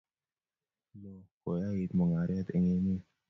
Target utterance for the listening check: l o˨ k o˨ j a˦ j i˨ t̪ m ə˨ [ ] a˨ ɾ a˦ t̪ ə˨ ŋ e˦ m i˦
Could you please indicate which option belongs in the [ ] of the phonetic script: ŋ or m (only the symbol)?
ŋ